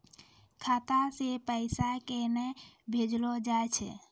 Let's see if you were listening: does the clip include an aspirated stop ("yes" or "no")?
yes